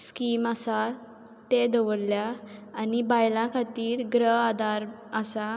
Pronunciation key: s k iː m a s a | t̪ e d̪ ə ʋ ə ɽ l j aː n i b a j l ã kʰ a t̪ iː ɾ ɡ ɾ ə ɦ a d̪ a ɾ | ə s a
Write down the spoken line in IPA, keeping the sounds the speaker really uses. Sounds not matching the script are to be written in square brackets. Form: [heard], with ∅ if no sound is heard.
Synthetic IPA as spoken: s k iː m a s a | t̪ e d̪ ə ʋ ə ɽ l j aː n i b a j l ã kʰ a t̪ iː ɾ ɡ ɾ ə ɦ a d̪ a ɾ | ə s a

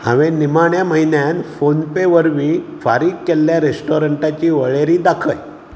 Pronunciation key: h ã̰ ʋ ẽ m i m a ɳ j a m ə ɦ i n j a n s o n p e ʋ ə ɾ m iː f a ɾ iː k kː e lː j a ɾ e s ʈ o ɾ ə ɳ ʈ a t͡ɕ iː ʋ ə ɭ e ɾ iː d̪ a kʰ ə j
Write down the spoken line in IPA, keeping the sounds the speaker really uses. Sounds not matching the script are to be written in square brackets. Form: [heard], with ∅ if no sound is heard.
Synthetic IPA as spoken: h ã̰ ʋ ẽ [n] i m a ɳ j a m ə ɦ i n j a n [f] o n p e ʋ ə ɾ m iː f a ɾ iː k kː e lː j a ɾ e s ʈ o ɾ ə ɳ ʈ a t͡ɕ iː ʋ ə ɭ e ɾ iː d̪ a kʰ ə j

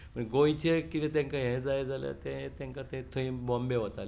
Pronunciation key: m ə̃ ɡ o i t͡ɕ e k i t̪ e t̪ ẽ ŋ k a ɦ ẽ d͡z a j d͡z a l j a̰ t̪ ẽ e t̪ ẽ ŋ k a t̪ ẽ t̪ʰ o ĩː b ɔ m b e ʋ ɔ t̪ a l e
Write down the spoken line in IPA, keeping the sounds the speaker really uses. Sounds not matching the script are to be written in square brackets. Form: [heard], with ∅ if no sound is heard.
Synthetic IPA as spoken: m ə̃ ɡ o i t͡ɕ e k i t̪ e t̪ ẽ ŋ k a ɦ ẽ d͡z a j d͡z a l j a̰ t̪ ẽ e t̪ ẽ ŋ k a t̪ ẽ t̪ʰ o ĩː b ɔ m b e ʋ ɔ t̪ a l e

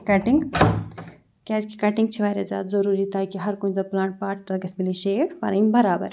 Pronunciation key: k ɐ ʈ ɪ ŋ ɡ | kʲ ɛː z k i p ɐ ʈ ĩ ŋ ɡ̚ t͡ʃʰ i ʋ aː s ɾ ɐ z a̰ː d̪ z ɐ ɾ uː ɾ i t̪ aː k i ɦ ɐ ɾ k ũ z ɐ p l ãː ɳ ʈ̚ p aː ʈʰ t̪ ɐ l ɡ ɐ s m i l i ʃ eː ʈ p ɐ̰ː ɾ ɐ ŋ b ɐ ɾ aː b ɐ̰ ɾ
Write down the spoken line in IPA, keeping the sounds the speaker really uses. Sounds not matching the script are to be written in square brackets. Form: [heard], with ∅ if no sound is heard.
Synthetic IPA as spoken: k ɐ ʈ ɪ ŋ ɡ | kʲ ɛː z k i [k] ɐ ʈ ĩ ŋ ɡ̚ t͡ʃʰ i ʋ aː [∅] ɾ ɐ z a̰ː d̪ z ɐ ɾ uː ɾ i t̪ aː k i ɦ ɐ ɾ k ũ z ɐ p l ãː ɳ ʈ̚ p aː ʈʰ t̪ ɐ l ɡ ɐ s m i l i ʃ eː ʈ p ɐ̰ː ɾ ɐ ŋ b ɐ ɾ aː b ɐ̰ ɾ

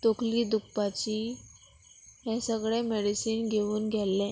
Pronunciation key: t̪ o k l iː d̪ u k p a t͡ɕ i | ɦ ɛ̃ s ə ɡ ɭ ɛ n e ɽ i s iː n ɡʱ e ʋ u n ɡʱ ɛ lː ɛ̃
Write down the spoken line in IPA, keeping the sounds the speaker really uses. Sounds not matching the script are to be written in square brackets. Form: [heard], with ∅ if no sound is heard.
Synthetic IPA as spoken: t̪ o k l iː d̪ u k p a t͡ɕ i | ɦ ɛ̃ s ə ɡ ɭ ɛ [m] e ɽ i s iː n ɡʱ e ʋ [uː] n ɡʱ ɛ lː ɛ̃

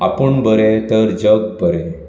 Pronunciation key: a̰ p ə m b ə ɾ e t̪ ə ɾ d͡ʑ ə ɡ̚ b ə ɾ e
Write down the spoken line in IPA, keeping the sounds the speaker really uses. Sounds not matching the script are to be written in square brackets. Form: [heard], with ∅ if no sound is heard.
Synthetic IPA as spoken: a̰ p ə [ɳ] b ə ɾ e t̪ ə ɾ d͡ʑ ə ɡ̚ b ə ɾ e

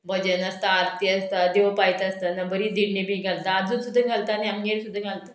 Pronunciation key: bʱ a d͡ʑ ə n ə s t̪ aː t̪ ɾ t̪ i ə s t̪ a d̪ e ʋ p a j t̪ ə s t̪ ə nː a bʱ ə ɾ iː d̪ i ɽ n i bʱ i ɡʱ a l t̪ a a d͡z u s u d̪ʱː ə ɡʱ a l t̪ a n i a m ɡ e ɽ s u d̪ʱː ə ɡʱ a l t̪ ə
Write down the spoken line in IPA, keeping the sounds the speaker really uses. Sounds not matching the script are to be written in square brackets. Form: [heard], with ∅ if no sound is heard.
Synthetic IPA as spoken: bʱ [ə] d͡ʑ ə n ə s t̪ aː [∅] ɾ t̪ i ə s t̪ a d̪ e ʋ p a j t̪ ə s t̪ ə [n] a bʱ ə ɾ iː d̪ i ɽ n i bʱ i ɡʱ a l t̪ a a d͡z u s u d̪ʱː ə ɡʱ a l t̪ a n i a m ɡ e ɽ s u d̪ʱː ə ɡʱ a l t̪ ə

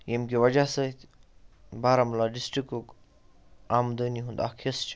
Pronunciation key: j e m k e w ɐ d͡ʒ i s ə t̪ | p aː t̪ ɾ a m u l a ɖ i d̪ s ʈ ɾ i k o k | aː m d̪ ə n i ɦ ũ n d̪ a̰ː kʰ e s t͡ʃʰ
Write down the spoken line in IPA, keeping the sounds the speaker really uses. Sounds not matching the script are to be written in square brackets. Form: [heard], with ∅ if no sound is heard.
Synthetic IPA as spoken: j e m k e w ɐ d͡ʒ [a] s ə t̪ | [b] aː [∅] ɾ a m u l a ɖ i [∅] s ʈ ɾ i k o k | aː m d̪ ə n i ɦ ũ n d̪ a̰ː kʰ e s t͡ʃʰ

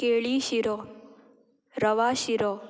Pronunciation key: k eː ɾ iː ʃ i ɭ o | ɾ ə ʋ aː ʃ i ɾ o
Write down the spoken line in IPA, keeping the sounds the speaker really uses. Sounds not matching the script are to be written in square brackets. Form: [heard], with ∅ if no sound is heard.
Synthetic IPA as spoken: k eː [ɭ] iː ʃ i [ɾ] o | ɾ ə ʋ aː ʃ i ɾ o

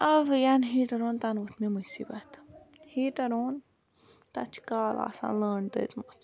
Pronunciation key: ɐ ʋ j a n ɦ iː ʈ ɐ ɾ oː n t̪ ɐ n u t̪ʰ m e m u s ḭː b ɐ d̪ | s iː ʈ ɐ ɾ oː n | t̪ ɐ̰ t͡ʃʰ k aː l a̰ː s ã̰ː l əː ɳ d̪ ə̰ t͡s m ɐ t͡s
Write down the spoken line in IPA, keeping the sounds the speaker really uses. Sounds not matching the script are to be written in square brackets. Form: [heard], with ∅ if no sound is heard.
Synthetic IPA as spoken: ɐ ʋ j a n ɦ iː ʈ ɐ ɾ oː n t̪ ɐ n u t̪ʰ m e m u s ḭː b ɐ [t̪] | [h] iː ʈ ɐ ɾ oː n | t̪ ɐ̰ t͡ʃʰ k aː l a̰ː s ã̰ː l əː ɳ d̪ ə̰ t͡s m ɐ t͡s

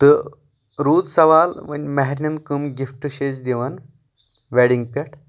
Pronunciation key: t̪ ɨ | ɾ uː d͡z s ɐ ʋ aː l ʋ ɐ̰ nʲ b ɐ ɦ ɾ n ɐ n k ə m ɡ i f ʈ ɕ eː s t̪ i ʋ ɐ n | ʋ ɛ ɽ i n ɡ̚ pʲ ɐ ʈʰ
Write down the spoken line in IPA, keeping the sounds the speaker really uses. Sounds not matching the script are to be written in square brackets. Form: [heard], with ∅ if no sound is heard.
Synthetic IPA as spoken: t̪ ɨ | ɾ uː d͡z s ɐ ʋ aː l ʋ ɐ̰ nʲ [m] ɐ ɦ ɾ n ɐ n k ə m ɡ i f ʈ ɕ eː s [d̪] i ʋ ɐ n | ʋ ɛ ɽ i [ŋ] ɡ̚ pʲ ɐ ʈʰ

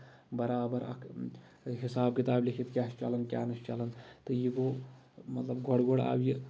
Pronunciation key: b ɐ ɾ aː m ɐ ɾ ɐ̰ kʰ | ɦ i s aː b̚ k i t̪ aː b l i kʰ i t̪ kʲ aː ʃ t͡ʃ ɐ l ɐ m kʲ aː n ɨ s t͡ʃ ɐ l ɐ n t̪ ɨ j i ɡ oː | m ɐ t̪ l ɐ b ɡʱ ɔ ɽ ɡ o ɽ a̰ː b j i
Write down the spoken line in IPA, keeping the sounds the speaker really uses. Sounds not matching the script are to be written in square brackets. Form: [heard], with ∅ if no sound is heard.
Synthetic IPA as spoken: b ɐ ɾ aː [b] ɐ ɾ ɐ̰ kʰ | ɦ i s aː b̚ k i t̪ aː b l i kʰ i t̪ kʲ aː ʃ t͡ʃ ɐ l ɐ [n] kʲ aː n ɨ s t͡ʃ ɐ l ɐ n t̪ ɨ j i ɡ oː | m ɐ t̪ l ɐ b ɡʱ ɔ ɽ ɡ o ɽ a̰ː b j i

